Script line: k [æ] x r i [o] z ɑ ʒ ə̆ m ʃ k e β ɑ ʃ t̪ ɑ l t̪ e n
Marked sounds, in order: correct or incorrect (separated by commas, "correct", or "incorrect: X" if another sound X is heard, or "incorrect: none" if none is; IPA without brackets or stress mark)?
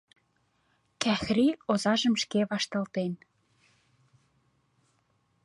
correct, correct